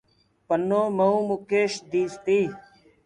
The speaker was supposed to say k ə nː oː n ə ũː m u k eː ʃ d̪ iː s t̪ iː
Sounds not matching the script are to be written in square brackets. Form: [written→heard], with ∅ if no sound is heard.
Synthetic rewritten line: [k→p] ə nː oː [n→m] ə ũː m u k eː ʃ d̪ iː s t̪ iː